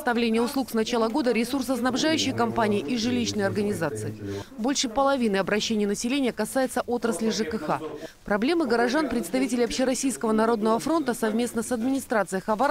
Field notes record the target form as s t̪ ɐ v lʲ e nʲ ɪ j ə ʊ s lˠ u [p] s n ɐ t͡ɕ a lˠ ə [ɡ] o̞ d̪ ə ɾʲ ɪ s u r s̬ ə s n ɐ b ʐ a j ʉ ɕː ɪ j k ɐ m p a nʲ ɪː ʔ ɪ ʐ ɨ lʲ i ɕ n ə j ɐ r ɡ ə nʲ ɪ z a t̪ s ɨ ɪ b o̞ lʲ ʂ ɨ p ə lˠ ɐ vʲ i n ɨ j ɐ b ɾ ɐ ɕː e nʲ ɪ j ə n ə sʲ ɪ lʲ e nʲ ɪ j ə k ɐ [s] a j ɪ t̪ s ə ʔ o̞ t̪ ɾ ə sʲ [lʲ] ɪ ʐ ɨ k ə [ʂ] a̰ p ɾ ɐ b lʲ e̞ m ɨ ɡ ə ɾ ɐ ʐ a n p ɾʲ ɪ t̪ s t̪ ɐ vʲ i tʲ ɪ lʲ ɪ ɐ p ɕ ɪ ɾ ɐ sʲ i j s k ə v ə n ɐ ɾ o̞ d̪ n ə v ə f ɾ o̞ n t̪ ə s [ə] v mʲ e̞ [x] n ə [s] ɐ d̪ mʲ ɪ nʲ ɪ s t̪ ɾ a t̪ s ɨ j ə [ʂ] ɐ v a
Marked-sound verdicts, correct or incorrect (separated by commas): incorrect, correct, correct, correct, incorrect, incorrect, incorrect, correct, incorrect